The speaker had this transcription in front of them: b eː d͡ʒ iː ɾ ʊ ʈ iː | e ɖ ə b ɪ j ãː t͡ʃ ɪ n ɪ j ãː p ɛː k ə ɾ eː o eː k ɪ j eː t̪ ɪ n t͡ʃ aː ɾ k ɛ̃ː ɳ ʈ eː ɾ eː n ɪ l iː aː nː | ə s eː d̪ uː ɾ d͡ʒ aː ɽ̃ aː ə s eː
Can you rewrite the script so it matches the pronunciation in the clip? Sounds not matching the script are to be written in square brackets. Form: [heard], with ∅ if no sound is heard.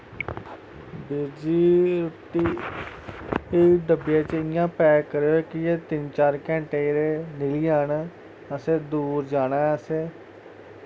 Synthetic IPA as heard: b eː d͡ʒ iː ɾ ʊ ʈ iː | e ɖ ə b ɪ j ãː t͡ʃ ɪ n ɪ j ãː p ɛː k ə ɾ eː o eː k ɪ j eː t̪ ɪ n t͡ʃ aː ɾ k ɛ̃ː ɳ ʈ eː ɾ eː n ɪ l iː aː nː | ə s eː d̪ uː ɾ d͡ʒ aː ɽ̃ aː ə s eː